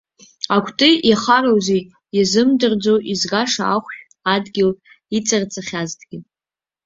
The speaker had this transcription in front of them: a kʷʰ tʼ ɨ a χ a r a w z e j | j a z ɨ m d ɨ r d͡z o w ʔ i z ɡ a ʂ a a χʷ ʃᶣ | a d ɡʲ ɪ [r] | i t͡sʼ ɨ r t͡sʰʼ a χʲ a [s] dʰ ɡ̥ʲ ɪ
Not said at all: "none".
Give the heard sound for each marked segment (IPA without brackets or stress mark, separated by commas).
l, z